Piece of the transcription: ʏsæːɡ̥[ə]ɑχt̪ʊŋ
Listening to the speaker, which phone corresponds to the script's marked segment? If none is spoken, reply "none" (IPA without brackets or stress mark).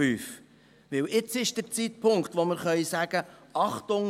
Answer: ə